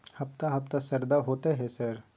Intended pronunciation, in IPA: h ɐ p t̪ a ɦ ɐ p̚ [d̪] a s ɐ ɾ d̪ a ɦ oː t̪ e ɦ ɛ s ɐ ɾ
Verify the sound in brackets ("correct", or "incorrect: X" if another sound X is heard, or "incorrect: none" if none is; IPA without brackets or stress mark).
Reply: incorrect: t̪